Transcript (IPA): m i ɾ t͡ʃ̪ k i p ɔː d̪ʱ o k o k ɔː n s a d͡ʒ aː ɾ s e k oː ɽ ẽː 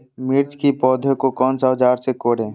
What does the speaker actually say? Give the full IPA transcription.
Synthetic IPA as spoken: m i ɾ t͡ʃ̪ k i p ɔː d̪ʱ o k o k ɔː n s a d͡ʒ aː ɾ s e k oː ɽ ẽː